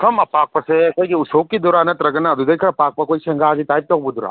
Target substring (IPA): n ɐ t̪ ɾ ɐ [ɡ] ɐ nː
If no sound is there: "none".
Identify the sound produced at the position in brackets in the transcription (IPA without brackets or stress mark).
ɡ